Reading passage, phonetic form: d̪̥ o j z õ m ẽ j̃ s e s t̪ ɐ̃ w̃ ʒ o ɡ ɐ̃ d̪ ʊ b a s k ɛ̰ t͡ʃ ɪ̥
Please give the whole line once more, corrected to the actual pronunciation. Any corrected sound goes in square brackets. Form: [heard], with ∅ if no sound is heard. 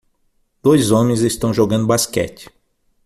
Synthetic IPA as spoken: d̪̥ o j z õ m ẽ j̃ [z] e s t̪ ɐ̃ w̃ ʒ o ɡ ɐ̃ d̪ ʊ b a s k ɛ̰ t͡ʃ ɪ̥